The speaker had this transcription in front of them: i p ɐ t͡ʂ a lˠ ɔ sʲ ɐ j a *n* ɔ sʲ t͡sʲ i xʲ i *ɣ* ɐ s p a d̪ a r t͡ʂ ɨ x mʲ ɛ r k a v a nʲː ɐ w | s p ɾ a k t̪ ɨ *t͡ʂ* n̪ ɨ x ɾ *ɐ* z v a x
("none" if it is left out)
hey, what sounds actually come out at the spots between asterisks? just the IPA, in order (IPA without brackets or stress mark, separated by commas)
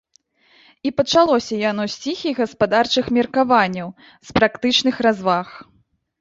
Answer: n, ɣ, t͡ʂ, a